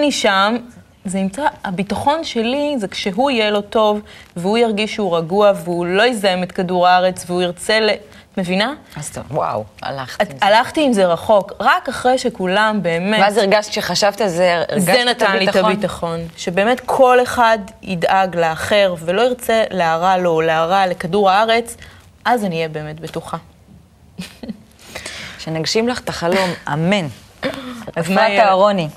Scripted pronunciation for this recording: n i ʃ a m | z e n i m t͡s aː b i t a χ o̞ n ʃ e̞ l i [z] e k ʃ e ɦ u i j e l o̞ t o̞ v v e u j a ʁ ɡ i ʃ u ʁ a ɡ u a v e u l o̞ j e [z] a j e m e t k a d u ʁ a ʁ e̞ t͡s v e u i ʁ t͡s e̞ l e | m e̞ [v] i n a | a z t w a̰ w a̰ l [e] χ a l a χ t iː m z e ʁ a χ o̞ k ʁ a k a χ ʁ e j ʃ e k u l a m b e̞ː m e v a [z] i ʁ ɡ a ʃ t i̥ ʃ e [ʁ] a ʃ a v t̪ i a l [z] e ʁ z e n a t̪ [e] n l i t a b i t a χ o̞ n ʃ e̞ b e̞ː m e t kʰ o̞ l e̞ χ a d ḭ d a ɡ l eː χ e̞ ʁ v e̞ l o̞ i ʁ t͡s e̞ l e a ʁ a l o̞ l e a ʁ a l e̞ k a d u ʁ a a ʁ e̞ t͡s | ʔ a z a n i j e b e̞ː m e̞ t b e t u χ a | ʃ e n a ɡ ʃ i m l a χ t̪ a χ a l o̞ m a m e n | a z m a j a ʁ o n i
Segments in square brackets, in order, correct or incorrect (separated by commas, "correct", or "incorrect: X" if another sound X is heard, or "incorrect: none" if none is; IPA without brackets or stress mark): correct, correct, correct, incorrect: a, correct, incorrect: χ, correct, incorrect: a